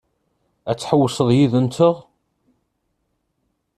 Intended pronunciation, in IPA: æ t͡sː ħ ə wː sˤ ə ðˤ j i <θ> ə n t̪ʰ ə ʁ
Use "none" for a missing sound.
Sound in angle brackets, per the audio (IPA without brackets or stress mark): ð